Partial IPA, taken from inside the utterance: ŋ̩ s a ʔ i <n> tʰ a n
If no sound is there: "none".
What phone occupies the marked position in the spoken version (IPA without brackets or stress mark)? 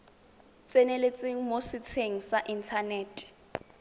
n